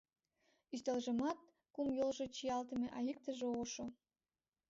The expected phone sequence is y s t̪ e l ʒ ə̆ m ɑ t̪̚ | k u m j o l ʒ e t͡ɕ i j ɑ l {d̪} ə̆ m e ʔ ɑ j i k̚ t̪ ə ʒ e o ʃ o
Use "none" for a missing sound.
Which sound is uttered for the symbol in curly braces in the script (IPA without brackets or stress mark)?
t̪